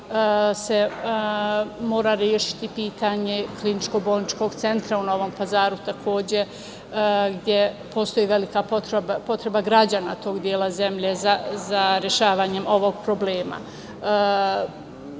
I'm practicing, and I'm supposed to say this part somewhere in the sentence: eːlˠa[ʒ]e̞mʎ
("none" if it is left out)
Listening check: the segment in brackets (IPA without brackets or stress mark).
z